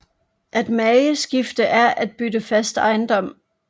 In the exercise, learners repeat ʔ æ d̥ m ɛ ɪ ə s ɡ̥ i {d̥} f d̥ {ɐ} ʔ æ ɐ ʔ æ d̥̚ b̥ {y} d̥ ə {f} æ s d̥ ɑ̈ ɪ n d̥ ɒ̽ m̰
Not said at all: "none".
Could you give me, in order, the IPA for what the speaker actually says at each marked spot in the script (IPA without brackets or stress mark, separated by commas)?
none, ə, y, f